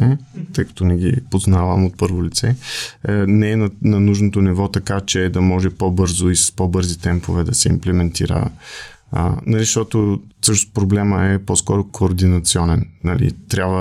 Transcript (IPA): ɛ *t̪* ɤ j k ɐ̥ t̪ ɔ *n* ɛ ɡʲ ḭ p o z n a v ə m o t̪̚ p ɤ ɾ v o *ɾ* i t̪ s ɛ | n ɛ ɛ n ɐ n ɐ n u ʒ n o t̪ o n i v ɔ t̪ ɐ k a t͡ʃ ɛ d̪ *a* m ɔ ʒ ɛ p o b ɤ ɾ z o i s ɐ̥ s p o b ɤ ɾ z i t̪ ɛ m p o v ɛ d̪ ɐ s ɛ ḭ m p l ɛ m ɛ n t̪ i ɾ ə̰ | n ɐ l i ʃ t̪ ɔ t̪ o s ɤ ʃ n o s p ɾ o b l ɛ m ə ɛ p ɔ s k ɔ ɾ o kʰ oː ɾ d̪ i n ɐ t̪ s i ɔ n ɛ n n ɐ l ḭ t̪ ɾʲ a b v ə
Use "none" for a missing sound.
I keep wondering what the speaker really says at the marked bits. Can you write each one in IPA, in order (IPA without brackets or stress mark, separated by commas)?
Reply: t̪, n, l, ɐ